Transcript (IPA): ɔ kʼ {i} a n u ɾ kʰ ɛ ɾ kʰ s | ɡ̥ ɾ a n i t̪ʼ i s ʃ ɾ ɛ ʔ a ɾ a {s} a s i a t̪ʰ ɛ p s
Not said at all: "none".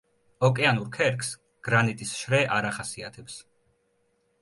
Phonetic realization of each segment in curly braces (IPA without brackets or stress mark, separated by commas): ɛ, χ